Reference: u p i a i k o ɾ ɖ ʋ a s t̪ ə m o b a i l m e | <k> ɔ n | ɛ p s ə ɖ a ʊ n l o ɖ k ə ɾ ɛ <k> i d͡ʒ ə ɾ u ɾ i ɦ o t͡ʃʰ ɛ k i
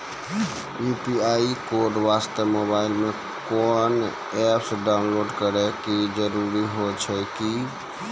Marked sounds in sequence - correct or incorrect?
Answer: correct, correct

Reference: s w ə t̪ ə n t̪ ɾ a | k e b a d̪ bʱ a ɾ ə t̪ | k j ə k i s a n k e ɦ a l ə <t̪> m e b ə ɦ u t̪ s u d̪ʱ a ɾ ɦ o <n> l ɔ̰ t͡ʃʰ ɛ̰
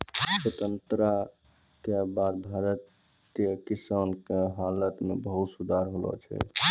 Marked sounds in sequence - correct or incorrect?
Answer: correct, incorrect

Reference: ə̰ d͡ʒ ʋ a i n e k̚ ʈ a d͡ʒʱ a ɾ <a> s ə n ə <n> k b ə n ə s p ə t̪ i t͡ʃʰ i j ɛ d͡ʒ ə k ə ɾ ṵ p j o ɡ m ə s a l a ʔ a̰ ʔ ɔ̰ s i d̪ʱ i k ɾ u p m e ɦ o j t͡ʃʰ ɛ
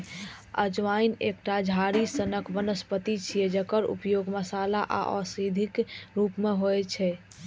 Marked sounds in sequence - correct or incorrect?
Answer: incorrect, incorrect

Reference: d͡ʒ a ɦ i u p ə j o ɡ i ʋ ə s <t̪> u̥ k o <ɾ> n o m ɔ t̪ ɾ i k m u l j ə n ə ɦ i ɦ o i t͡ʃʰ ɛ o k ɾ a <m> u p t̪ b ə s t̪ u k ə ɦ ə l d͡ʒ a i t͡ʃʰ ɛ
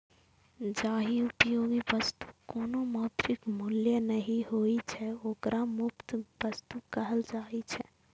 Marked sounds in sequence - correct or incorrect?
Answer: correct, incorrect, correct

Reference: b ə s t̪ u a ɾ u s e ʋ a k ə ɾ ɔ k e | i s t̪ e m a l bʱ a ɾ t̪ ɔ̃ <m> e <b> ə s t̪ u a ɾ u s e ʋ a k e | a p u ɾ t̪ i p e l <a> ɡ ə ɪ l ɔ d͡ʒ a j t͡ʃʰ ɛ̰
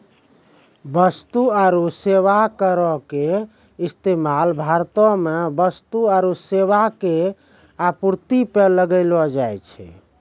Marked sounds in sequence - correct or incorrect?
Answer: correct, correct, incorrect

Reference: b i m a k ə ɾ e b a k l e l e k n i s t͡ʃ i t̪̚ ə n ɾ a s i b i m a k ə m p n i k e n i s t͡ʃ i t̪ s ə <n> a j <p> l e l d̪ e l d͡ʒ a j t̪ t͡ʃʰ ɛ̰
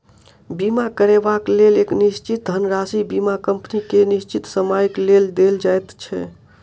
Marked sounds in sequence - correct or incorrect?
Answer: incorrect, incorrect

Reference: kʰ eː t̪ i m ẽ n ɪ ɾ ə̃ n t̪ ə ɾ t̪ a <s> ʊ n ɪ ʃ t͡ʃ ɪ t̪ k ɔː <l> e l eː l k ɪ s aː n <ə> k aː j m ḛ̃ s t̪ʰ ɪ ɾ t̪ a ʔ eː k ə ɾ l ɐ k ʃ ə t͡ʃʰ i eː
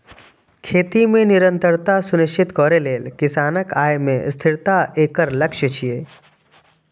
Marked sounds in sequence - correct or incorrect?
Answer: correct, incorrect, correct

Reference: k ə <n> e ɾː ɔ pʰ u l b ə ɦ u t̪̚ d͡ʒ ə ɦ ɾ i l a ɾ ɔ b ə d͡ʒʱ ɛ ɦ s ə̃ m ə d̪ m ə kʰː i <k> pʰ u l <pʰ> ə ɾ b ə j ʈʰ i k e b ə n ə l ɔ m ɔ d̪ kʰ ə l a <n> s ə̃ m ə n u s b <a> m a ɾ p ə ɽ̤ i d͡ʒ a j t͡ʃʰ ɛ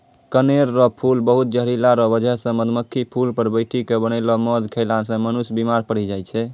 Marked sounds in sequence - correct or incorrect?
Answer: correct, incorrect, incorrect, correct, incorrect

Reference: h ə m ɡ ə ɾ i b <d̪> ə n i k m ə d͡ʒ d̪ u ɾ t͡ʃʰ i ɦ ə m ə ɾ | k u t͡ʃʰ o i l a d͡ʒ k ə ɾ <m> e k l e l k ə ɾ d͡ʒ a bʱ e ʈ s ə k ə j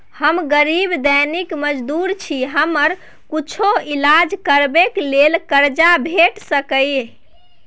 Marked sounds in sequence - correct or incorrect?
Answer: correct, incorrect

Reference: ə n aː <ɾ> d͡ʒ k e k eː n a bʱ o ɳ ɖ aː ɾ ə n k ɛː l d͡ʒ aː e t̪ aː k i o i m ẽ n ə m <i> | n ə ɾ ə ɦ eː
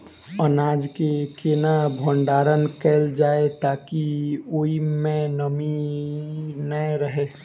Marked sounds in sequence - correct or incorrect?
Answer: incorrect, correct

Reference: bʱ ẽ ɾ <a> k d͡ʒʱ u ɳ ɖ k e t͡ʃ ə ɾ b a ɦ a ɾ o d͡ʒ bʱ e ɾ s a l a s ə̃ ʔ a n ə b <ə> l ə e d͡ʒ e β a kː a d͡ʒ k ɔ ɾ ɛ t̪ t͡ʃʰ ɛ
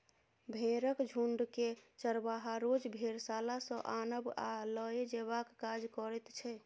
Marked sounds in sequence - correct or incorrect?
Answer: incorrect, incorrect

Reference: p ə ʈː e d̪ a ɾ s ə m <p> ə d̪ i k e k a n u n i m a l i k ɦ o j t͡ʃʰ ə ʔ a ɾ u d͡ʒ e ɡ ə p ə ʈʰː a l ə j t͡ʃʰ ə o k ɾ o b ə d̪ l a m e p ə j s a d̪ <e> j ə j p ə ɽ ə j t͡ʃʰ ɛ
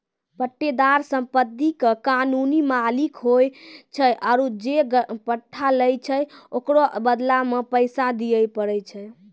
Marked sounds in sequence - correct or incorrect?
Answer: correct, incorrect

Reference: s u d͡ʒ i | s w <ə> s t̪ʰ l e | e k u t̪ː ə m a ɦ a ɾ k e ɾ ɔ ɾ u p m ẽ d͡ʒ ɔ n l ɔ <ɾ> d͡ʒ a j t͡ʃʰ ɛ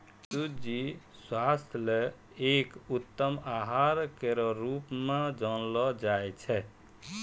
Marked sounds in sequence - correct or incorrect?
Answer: incorrect, incorrect

